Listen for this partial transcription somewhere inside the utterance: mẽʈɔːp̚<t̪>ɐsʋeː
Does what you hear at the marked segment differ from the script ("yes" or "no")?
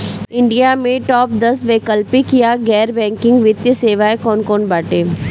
yes